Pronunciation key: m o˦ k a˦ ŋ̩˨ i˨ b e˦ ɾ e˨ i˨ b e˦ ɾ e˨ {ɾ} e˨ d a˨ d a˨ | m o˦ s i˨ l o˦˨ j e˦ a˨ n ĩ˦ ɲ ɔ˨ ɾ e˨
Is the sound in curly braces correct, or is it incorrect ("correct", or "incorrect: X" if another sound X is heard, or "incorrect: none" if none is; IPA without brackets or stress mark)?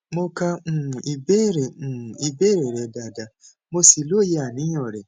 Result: correct